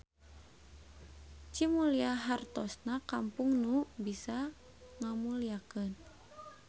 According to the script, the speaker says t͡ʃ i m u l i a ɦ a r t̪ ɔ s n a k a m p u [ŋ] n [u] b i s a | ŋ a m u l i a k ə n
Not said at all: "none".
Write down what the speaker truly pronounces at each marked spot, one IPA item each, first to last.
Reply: ŋ, u

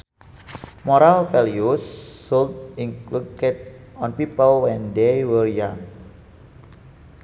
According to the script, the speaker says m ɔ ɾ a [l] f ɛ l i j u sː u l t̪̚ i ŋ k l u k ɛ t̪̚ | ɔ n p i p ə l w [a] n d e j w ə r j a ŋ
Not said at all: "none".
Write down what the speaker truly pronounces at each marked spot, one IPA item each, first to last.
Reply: l, ɛ

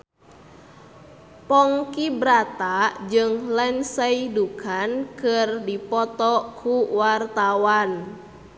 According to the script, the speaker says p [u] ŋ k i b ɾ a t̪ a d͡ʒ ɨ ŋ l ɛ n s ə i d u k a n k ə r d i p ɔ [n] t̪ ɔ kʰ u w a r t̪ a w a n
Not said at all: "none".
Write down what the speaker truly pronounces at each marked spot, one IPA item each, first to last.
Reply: ɔ, none

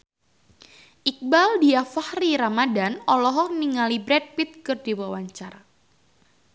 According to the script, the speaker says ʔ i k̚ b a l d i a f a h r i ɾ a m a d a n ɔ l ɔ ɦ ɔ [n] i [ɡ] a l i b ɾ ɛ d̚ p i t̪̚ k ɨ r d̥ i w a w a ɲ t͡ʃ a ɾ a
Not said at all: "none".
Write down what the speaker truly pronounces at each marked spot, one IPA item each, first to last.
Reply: n, ŋ

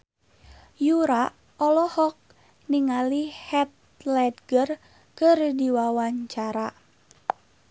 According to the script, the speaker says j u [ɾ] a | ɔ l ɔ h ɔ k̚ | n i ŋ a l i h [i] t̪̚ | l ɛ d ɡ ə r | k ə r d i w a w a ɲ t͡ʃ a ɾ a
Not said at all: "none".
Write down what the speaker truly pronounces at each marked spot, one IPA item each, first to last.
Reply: ɾ, ɛ

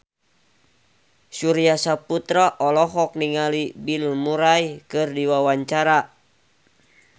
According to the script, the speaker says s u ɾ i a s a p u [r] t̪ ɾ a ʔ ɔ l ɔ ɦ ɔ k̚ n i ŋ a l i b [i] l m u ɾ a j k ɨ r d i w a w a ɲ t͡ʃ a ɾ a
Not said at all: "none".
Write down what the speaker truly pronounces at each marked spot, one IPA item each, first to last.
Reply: none, i

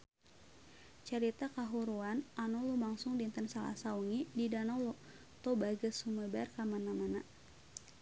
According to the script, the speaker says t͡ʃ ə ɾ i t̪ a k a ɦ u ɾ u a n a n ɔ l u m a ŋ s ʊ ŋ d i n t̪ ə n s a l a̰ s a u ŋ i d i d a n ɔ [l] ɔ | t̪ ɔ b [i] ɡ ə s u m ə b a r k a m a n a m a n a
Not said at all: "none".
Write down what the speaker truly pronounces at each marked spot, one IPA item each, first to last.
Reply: l, a

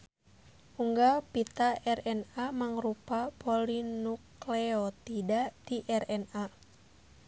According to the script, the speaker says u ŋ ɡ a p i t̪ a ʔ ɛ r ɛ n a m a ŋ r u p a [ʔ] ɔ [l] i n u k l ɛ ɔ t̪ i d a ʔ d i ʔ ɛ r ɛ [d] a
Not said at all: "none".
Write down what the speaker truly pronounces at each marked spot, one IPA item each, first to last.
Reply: p, l, n

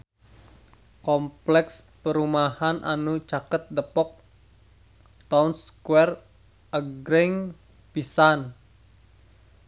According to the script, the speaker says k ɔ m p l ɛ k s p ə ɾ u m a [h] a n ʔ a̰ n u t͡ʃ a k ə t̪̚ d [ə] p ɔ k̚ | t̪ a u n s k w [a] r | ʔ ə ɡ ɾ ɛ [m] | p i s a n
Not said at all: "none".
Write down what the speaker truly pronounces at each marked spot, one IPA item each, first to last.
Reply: h, ə, ɛ, ŋ

